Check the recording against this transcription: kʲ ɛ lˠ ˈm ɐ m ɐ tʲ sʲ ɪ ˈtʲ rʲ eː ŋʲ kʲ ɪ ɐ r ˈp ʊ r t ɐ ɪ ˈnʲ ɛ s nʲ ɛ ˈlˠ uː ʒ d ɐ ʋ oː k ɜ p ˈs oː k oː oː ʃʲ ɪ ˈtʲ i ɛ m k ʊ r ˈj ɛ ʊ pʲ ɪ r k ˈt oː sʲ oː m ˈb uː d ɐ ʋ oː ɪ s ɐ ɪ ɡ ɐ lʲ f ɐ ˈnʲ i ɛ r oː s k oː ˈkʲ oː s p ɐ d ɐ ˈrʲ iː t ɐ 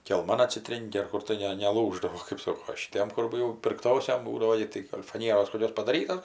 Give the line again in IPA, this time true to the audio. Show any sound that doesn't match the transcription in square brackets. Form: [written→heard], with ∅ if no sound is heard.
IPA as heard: kʲ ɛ lˠ ˈm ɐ [m→n] ɐ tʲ sʲ ɪ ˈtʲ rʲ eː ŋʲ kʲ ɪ ɐ r [ˈp→ˈk] ʊ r t ɐ ɪ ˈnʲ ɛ [s→∅] nʲ ɛ ˈlˠ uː ʒ d ɐ ʋ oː k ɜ p ˈs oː k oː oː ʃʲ ɪ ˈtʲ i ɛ m k ʊ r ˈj ɛ ʊ pʲ ɪ r k ˈt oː sʲ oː m ˈb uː d ɐ ʋ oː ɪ [s→t] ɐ ɪ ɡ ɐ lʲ f ɐ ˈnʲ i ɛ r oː s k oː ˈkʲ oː s p ɐ d ɐ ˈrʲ iː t ɐ